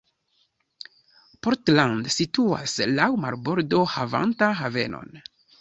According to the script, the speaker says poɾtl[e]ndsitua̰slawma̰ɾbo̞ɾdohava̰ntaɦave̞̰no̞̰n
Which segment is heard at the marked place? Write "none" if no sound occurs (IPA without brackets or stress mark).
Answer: a